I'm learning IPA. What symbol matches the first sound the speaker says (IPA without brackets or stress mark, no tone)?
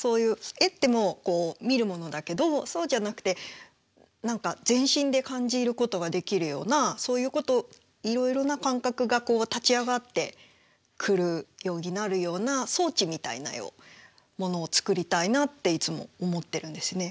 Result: s